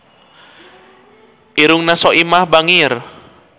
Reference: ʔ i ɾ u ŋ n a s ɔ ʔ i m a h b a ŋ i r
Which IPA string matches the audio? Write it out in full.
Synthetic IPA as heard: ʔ i ɾ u ŋ n a s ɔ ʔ i m a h b a ŋ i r